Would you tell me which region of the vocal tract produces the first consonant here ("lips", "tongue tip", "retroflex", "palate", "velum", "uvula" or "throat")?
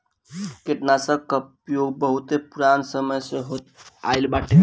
velum